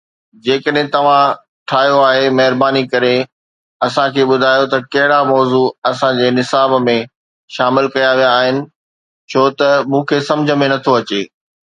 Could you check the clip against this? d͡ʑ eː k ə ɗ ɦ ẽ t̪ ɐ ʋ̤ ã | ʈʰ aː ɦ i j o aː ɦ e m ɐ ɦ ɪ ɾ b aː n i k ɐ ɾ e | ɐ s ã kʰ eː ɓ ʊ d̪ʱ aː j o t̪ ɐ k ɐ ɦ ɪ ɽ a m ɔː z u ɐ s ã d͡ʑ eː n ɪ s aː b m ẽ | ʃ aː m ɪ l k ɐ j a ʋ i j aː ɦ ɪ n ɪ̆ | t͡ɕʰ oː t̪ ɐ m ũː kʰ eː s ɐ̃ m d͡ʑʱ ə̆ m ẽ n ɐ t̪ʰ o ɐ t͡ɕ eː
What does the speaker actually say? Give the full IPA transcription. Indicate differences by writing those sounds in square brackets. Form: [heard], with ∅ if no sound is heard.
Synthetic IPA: d͡ʑ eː k ə ɗ ɦ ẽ t̪ ɐ ʋ̤ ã | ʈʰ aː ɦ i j o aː ɦ e m ɐ ɦ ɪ ɾ b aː n i k ɐ ɾ e | ɐ s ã kʰ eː ɓ ʊ d̪ʱ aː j o t̪ ɐ k ɐ ɦ ɪ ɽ a m ɔː z u ɐ s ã d͡ʑ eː n ɪ s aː b m ẽ | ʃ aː m ɪ l k ɐ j a ʋ i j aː ɦ ɪ n ɪ̆ | t͡ɕʰ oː t̪ ɐ m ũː kʰ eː s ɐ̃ m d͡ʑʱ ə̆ m ẽ n ɐ t̪ʰ o ɐ t͡ɕ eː